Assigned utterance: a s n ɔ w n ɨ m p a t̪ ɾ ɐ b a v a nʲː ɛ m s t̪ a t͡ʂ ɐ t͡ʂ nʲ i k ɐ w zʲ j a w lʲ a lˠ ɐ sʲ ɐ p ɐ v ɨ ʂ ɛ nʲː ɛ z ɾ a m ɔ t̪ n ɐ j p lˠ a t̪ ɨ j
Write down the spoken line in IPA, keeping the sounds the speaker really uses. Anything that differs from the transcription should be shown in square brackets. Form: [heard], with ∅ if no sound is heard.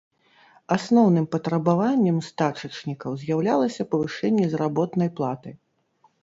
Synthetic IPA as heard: a s n ɔ w n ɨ m p [ɐ] t̪ ɾ ɐ b a v a nʲː ɛ m s t̪ a t͡ʂ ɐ t͡ʂ nʲ i k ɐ w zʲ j a w lʲ a lˠ ɐ sʲ ɐ p ɐ v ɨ ʂ ɛ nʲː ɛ z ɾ a [b] ɔ t̪ n ɐ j p lˠ a t̪ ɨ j